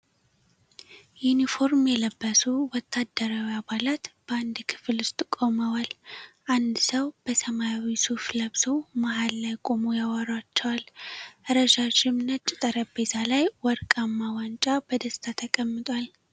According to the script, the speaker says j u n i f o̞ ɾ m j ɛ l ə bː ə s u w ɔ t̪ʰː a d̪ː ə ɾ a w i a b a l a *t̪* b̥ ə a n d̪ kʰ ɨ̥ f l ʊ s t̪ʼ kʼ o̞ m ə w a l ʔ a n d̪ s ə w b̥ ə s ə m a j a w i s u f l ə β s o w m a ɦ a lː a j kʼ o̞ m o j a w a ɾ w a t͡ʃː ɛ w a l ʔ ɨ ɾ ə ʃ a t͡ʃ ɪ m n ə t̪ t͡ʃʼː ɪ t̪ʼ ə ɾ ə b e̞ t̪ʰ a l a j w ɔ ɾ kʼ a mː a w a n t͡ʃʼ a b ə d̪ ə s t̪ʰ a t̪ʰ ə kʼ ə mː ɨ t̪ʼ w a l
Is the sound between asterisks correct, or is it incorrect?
correct